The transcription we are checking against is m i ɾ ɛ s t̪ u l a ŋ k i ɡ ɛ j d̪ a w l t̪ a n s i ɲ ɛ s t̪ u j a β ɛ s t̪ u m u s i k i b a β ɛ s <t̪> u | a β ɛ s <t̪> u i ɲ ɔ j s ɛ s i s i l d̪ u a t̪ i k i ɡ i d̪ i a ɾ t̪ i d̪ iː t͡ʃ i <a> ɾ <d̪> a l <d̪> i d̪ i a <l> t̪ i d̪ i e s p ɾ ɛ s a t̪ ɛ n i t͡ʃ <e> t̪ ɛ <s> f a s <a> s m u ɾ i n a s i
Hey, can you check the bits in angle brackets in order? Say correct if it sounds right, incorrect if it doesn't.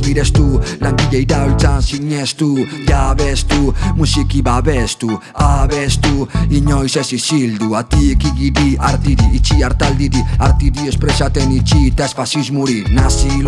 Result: correct, correct, correct, incorrect: t̪, correct, incorrect: ɾ, incorrect: i, correct, incorrect: i

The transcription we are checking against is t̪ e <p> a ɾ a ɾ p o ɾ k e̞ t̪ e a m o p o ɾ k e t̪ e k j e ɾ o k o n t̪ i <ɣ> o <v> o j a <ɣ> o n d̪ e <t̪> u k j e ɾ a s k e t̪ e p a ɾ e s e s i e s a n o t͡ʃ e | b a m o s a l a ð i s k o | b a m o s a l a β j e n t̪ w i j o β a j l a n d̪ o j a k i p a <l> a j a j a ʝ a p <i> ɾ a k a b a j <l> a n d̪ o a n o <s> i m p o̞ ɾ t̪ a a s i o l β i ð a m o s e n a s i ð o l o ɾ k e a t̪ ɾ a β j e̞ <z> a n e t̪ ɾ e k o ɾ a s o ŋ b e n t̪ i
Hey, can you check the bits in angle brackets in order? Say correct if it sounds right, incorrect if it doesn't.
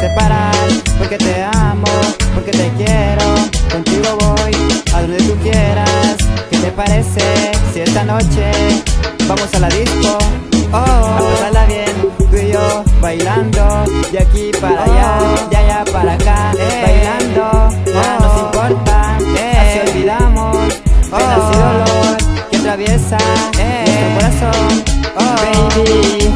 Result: correct, correct, incorrect: β, incorrect: ð, correct, incorrect: ɾ, incorrect: a, correct, correct, incorrect: s

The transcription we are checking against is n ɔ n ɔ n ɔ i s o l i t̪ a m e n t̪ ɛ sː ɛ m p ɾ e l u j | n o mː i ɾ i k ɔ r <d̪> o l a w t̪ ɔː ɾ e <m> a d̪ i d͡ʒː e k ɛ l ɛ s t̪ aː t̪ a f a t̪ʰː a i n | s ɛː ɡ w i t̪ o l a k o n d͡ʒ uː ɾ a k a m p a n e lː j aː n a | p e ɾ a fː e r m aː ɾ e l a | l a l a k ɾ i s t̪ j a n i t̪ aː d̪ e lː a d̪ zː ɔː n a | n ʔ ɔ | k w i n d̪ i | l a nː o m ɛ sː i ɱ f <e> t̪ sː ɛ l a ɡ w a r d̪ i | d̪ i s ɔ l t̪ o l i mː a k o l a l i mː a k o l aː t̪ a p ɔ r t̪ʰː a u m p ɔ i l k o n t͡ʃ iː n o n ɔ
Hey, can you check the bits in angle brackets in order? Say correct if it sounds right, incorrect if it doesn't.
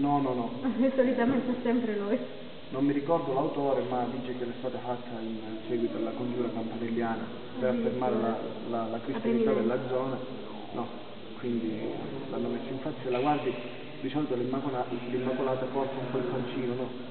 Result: correct, correct, incorrect: a

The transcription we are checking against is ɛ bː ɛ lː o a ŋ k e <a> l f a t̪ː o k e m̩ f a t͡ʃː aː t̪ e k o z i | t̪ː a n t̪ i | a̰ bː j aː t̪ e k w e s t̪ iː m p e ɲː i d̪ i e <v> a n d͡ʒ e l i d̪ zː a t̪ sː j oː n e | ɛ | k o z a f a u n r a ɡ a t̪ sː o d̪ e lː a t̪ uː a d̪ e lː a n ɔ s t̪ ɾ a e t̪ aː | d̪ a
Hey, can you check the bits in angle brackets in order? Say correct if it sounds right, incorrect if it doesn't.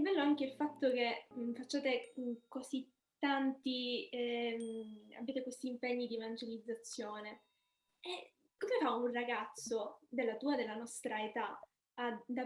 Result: incorrect: i, correct

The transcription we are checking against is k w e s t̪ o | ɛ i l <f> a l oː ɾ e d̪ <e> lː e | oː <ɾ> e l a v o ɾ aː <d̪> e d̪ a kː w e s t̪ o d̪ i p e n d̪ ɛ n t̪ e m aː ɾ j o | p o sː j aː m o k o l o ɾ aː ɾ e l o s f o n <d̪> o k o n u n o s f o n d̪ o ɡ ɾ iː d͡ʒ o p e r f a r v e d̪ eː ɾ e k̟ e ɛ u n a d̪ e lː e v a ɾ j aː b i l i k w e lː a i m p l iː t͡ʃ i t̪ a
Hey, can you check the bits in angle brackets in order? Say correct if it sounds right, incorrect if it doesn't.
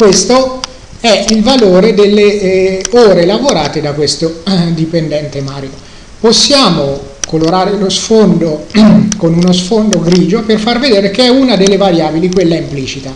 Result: incorrect: v, correct, correct, incorrect: t̪, correct

